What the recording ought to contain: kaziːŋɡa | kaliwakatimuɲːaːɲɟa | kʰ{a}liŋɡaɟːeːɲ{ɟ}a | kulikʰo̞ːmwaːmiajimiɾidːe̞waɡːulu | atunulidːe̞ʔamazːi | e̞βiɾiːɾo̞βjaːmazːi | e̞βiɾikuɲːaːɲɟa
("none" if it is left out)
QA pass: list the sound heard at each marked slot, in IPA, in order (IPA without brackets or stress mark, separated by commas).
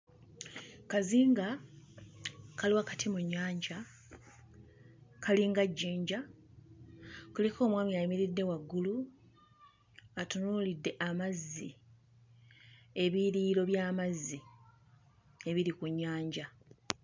a, ɟ